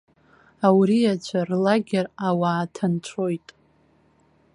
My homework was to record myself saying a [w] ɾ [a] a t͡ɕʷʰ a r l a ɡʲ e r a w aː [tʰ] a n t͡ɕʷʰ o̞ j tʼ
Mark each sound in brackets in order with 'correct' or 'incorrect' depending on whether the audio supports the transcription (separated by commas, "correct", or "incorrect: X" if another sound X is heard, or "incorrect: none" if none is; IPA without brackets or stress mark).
correct, incorrect: i, correct